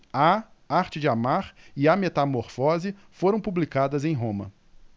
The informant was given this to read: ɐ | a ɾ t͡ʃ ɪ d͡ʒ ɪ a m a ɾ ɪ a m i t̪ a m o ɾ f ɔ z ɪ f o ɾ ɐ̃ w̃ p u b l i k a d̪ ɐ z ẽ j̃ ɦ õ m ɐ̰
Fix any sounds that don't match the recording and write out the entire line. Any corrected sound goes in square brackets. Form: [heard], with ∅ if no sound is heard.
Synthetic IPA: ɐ | a ɾ t͡ʃ ɪ d͡ʒ ɪ a m a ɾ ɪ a m [e] t̪ a m o ɾ f ɔ z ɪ f o ɾ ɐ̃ w̃ p u b l i k a d̪ ɐ z ẽ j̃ ɦ õ m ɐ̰